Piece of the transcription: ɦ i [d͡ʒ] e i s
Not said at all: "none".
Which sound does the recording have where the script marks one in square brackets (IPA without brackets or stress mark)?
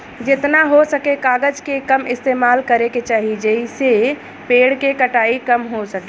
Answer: d͡ʒ